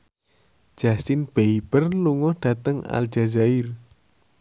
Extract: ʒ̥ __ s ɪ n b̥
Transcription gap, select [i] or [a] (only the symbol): a